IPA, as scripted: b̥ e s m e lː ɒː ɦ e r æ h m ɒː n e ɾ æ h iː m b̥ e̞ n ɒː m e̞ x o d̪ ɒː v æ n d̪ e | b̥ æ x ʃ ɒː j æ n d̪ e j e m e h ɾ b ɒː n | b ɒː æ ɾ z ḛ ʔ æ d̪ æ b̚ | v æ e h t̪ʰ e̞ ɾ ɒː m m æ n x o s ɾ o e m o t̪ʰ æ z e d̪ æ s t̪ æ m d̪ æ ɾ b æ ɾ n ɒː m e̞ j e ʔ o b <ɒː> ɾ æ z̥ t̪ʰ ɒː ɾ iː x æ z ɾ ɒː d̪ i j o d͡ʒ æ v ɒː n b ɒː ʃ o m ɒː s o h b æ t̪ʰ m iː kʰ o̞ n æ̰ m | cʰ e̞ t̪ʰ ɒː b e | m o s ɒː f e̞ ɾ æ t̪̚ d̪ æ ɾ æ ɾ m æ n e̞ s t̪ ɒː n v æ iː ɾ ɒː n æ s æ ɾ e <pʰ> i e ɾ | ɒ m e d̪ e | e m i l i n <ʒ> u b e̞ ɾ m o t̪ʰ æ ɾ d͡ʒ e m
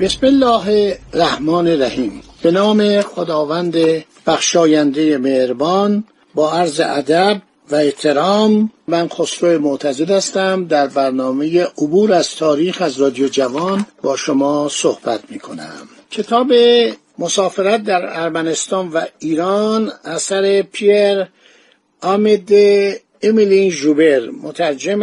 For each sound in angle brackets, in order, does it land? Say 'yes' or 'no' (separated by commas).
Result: no, yes, yes